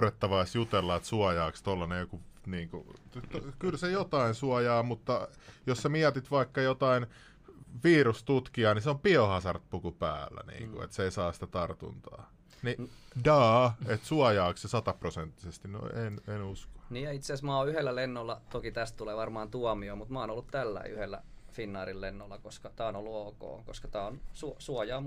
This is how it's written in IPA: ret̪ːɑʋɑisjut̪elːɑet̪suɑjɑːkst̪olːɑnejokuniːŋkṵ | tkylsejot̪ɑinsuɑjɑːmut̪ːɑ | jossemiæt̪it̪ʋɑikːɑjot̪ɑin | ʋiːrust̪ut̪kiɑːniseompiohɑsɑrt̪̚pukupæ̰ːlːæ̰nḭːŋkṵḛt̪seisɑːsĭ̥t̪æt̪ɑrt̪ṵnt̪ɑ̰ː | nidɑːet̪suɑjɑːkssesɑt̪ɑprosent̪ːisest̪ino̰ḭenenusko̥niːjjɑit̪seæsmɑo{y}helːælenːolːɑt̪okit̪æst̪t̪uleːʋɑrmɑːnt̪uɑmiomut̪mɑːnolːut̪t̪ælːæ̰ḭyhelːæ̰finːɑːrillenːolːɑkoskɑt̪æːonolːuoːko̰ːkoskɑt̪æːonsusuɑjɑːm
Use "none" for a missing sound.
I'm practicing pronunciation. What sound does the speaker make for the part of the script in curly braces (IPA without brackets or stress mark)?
y